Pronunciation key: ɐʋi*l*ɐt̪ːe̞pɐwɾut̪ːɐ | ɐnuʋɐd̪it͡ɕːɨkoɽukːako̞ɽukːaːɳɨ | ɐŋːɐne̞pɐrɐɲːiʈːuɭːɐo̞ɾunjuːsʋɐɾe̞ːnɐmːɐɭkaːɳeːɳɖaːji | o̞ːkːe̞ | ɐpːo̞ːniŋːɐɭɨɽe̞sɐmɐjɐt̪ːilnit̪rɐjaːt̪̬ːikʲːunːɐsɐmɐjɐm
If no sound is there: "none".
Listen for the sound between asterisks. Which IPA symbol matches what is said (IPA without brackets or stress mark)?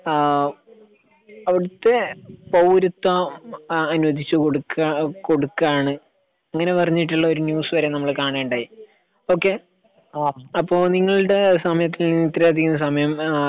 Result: ɽ